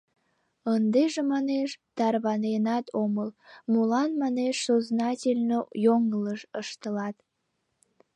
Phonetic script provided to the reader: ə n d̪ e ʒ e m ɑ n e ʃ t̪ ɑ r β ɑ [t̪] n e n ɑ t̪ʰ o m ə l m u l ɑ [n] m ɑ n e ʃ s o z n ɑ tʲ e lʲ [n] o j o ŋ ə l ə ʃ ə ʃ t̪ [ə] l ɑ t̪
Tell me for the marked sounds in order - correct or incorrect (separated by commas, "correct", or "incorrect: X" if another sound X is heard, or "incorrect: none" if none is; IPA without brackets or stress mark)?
incorrect: none, correct, correct, correct